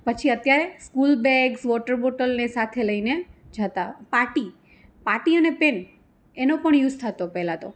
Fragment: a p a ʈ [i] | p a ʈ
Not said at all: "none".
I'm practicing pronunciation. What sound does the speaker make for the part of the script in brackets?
i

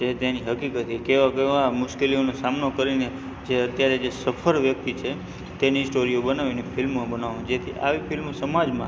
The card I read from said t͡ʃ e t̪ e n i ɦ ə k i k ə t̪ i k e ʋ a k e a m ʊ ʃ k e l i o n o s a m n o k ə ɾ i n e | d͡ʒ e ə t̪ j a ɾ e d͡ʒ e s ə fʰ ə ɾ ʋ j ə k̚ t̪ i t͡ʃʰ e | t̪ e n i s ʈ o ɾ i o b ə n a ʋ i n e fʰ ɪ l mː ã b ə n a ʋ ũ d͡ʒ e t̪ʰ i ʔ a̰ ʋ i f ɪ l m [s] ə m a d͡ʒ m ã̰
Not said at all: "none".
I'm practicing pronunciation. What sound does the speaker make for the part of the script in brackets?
s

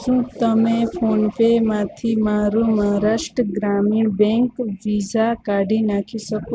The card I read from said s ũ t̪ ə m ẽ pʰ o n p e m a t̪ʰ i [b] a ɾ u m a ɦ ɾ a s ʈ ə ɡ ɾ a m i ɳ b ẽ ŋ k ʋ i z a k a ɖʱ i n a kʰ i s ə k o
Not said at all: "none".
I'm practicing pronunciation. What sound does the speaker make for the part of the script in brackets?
m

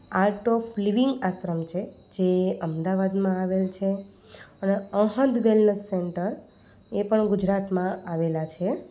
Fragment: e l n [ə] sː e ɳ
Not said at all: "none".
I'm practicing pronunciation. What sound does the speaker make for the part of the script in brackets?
ə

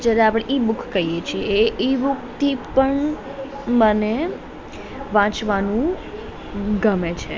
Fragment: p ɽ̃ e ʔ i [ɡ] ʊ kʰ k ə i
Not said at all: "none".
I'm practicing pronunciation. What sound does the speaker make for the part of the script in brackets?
b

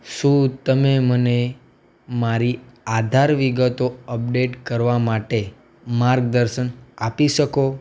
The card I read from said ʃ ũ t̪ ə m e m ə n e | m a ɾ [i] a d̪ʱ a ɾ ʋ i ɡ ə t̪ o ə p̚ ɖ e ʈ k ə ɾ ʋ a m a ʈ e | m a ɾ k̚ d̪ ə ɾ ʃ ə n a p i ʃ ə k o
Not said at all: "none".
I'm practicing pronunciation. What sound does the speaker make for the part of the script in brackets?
i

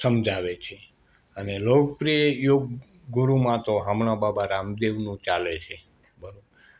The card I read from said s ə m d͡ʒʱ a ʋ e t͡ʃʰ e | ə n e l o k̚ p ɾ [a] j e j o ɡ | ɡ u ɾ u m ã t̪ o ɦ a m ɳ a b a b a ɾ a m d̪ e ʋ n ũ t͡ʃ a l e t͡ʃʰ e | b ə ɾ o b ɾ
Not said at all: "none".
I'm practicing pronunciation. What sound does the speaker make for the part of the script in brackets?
i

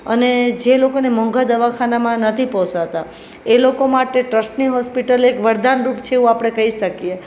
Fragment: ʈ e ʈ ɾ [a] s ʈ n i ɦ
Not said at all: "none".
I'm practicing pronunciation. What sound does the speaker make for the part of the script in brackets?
ə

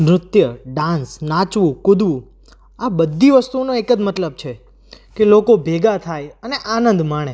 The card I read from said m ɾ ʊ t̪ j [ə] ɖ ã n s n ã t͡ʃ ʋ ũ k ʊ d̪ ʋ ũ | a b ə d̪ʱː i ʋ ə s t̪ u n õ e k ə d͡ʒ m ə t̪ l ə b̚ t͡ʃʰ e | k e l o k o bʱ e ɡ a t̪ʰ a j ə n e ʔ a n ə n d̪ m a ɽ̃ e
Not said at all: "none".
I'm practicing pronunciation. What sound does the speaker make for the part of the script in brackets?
ə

